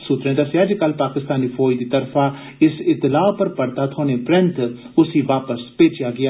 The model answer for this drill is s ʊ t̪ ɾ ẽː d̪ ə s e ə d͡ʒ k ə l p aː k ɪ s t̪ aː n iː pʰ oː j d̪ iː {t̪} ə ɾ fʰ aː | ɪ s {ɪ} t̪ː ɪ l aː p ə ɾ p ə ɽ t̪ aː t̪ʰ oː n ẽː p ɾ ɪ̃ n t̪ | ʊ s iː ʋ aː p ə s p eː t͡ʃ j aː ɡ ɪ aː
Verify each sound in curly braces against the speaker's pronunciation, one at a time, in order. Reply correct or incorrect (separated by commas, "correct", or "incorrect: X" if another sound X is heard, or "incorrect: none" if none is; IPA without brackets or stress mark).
correct, correct